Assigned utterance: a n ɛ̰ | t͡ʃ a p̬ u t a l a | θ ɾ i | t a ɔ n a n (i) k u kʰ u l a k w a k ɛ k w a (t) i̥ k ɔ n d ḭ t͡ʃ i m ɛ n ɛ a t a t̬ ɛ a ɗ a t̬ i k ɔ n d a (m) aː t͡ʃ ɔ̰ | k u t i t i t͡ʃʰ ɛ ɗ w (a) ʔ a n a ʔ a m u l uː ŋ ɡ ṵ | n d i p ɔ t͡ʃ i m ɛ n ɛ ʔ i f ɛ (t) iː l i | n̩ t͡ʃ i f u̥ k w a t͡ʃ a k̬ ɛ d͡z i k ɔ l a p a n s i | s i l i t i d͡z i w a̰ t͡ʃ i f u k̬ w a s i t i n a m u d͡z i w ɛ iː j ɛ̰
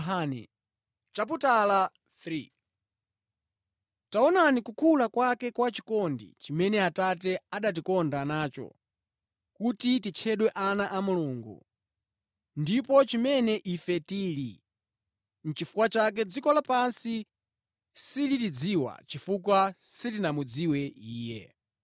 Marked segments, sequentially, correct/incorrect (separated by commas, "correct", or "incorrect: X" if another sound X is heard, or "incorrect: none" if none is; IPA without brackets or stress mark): correct, incorrect: t͡ʃ, incorrect: n, incorrect: ɛ, correct